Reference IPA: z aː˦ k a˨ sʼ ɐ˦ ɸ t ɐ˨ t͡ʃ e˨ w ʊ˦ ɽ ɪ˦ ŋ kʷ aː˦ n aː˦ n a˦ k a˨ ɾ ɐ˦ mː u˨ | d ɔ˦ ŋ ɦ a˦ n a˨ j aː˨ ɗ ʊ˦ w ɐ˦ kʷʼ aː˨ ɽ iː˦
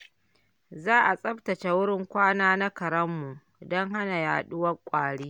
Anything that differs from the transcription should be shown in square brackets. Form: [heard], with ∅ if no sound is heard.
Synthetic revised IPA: z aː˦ [ʔ] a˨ sʼ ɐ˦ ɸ t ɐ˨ t͡ʃ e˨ w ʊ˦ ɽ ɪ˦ ŋ kʷ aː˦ n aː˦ n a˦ k [ɐ˨] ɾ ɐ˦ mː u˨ | d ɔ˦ ŋ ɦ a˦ n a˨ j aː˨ ɗ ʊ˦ w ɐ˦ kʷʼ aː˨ ɽ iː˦